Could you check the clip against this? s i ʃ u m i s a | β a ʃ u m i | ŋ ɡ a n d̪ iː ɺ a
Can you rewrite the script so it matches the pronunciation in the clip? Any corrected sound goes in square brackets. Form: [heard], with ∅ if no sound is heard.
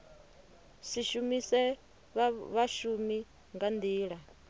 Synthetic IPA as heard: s i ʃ u m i s [ɛ] | β a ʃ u m i | ŋ ɡ a n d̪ iː ɺ a